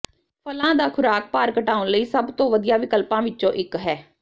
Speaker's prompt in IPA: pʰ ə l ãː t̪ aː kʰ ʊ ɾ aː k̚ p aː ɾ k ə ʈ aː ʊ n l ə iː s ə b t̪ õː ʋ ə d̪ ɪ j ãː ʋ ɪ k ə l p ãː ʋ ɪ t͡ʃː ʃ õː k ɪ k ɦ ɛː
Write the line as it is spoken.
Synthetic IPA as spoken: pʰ ə l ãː d̪ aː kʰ ʊ ɾ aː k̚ p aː ɾ k ə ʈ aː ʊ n l ə iː s ə b t̪ õː ʋ ə d̪ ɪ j aː ʋ ɪ k ə l p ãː ʋ ɪ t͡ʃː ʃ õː ʔ ɪ k ɦ ɛː